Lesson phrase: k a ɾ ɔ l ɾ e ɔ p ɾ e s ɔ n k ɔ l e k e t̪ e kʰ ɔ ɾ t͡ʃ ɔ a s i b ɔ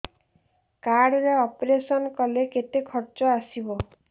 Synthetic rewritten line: k a ɽ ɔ ɾ e ɔ p ɾ e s ɔ n k ɔ l e k e t̪ e kʰ ɔ ɾ t͡ʃ ɔ a s i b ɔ